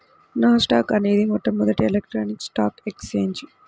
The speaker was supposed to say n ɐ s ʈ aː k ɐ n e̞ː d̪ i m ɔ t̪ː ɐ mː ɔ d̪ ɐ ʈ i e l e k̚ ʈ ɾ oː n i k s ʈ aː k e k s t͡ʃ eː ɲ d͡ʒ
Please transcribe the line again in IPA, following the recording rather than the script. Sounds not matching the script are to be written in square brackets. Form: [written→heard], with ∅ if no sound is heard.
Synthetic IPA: n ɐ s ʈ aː k ɐ n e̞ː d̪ i m ɔ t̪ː ɐ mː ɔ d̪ ɐ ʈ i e l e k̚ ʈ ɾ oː n i k s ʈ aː k e k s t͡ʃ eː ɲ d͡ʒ